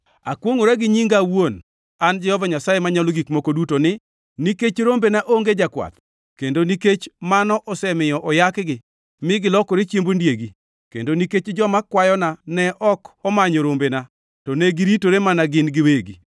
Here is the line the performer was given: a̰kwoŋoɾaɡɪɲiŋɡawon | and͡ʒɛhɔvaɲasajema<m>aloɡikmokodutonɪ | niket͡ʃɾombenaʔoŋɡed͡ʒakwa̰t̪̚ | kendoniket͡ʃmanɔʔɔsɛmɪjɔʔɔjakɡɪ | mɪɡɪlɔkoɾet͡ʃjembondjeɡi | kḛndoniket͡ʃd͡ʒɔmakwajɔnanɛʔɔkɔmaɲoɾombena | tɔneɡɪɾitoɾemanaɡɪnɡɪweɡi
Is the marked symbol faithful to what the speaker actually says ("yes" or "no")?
no